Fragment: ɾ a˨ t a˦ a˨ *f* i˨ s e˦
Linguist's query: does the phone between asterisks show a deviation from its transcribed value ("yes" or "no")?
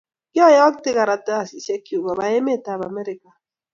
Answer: yes